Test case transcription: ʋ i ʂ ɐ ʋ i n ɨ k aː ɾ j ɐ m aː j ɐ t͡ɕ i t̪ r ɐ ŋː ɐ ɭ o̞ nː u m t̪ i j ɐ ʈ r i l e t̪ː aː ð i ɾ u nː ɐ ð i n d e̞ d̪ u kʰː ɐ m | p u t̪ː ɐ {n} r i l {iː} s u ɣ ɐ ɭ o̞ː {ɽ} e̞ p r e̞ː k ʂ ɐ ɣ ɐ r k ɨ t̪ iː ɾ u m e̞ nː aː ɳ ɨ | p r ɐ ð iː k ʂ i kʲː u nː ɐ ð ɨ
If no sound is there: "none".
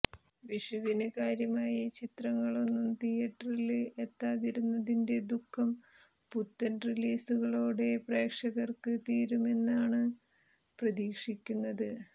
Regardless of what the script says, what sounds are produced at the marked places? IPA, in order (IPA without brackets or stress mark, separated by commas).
n, iː, ɽ